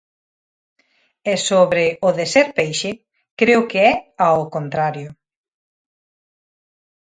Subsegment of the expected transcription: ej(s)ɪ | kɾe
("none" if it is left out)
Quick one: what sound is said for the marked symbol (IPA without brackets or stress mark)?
ʃ